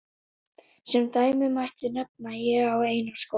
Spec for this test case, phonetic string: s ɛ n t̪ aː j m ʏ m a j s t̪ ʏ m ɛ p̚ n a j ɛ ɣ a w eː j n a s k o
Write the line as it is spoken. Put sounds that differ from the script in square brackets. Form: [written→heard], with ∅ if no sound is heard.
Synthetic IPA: s ɛ [n→m] t̪ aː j m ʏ m a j [s→h] t̪ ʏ [m→n] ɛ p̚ n a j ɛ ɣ a w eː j n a s k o